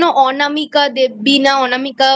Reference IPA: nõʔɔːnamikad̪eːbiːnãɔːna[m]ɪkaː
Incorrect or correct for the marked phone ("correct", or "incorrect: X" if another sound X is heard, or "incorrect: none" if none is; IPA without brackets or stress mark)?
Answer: correct